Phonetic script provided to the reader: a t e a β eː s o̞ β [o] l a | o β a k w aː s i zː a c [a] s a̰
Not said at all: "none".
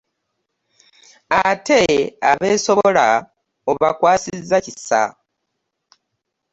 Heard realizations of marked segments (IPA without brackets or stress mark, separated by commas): o, i